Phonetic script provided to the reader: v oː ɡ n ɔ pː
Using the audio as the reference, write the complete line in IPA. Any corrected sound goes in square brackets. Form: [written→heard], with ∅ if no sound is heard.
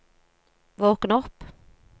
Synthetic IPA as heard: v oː [ɡ→k] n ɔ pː